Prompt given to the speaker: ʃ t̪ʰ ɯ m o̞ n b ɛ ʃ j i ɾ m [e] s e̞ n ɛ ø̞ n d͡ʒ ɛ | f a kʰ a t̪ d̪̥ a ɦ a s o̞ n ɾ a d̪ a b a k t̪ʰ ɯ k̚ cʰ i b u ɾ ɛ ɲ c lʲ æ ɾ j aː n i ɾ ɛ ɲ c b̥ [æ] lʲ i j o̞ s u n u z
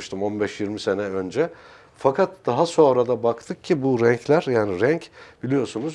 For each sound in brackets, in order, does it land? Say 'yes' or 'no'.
no, no

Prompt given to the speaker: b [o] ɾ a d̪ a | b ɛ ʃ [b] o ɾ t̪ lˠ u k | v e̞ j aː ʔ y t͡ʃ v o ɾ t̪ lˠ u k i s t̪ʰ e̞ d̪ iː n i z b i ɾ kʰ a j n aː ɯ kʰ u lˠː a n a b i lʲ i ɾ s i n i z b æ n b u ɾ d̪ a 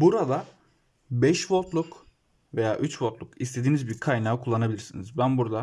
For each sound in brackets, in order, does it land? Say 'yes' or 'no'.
no, no

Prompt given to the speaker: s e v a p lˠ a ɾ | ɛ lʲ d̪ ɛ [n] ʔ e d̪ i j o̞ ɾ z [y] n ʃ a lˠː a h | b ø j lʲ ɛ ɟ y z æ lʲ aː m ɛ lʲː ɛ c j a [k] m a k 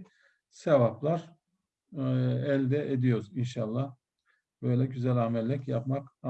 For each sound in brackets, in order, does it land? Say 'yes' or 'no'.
no, no, no

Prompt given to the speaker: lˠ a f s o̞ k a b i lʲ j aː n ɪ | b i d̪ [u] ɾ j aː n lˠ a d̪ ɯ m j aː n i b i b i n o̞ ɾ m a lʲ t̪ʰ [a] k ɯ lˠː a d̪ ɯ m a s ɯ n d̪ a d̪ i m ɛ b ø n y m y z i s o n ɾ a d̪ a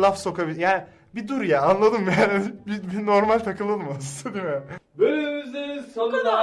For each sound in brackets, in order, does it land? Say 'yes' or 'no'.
yes, yes

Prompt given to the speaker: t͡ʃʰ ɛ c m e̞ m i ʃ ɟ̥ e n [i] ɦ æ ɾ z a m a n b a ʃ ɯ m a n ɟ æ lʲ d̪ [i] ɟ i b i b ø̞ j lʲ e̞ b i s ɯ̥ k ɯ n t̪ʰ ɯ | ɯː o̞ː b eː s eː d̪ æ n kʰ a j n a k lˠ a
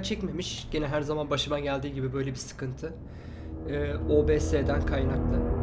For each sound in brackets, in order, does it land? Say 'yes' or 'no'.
no, no

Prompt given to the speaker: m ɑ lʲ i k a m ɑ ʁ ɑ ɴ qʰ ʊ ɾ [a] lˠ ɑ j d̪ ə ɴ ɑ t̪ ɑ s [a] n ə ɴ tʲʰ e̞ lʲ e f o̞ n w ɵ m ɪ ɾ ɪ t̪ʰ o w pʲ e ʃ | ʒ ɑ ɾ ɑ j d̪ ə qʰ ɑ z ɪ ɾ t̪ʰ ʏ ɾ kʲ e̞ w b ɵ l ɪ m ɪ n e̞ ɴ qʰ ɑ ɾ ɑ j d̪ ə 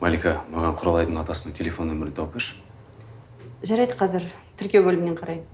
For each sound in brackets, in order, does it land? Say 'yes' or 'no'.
no, no

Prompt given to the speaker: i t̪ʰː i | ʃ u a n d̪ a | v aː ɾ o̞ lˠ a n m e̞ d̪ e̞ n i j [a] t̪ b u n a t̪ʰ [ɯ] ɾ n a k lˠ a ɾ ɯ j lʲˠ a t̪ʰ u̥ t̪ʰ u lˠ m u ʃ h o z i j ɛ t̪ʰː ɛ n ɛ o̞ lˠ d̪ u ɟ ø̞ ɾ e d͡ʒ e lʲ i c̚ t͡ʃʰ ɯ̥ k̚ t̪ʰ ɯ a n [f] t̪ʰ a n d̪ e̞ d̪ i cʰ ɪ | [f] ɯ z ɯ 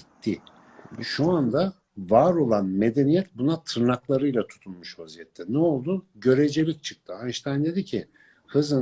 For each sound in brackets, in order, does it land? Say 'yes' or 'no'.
no, yes, no, no

